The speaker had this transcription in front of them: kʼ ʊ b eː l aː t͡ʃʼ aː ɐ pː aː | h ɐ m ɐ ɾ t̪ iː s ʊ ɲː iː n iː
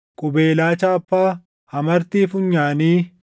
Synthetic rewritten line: kʼ ʊ b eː l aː t͡ʃ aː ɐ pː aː | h ɐ m ɐ ɾ t̪ iː f ʊ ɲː aː n iː